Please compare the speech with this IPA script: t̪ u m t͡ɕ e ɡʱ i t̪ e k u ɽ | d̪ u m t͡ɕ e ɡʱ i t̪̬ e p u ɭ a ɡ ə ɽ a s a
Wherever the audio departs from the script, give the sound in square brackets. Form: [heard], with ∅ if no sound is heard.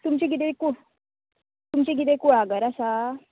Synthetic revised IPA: t̪ u m t͡ɕ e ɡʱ i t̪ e k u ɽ | [t̪] u m t͡ɕ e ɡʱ i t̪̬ e [k] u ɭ a ɡ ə [ɾ] a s a